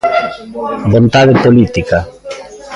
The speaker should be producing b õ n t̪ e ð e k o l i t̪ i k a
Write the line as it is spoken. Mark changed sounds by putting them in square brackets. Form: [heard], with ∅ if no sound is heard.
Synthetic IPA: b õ n t̪ [a] ð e [p] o l i t̪ i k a